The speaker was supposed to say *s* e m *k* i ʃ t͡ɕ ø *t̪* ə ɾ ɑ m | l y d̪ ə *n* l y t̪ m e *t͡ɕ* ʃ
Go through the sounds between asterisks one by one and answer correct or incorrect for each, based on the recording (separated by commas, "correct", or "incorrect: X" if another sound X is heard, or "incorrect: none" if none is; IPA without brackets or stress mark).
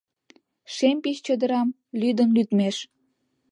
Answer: incorrect: ʃ, incorrect: p, incorrect: d̪, correct, incorrect: none